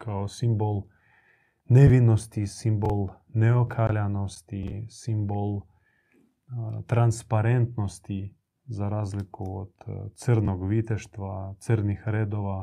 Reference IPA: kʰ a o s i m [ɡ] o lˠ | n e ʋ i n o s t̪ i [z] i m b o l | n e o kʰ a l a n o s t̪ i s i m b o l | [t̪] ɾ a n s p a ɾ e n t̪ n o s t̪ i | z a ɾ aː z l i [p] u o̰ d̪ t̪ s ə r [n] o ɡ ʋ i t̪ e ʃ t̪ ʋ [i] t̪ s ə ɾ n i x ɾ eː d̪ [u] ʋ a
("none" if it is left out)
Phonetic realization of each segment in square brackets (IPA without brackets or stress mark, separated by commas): b, s, t̪, k, n, a, o